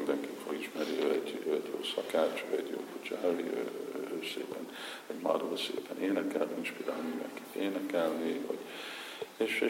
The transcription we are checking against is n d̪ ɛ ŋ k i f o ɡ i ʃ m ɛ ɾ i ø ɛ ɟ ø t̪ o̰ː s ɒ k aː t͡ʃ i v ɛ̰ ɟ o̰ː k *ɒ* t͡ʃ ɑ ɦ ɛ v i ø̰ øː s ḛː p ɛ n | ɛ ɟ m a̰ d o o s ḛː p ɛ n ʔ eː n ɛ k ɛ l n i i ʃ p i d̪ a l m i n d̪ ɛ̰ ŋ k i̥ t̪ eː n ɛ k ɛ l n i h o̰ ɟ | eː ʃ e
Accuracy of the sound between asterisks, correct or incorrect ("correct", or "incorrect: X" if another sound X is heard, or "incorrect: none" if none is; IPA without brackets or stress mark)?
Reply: incorrect: u